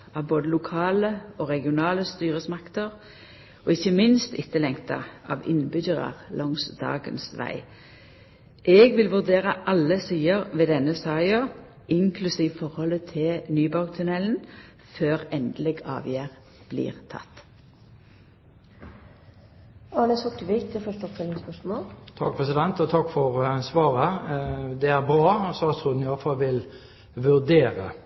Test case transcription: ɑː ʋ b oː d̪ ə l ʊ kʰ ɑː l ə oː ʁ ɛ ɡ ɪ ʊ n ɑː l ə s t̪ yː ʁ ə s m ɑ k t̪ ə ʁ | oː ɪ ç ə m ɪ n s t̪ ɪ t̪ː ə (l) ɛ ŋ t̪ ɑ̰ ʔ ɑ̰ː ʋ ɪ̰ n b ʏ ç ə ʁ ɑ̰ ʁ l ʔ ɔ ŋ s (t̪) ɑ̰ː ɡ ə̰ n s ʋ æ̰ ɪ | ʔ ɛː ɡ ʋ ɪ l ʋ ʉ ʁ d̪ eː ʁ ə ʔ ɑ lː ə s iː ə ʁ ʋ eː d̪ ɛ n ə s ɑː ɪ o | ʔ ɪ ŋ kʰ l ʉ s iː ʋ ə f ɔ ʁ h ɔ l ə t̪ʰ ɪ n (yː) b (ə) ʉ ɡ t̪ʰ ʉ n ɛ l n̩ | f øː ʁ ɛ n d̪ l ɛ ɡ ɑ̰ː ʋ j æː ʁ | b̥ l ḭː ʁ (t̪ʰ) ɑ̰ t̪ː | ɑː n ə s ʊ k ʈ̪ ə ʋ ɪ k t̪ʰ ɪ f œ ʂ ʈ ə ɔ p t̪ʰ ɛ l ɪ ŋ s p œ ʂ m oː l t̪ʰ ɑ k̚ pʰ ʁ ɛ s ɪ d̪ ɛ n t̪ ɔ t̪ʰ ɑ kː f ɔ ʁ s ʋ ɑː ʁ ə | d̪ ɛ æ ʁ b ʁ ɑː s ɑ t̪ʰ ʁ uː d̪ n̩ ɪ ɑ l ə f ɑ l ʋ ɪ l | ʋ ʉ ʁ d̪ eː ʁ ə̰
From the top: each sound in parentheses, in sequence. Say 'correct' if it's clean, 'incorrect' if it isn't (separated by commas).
correct, incorrect, correct, incorrect, correct